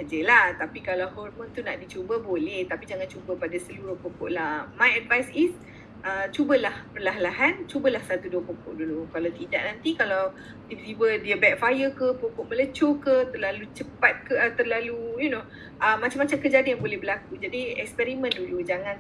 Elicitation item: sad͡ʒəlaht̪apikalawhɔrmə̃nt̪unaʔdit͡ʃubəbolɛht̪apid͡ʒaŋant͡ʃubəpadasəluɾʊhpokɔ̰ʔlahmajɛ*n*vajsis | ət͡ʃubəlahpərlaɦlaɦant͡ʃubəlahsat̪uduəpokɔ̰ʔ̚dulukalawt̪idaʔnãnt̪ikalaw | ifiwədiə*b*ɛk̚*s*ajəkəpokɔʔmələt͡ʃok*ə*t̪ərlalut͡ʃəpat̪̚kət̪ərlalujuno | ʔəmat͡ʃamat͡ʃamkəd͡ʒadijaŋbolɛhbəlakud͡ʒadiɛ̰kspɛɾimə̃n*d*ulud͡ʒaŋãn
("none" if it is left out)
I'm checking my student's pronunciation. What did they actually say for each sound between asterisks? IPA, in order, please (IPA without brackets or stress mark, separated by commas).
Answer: d, b, f, ə, d